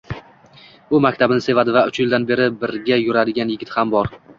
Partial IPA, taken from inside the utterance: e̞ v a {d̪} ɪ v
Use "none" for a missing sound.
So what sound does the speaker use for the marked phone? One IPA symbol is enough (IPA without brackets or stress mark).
d̪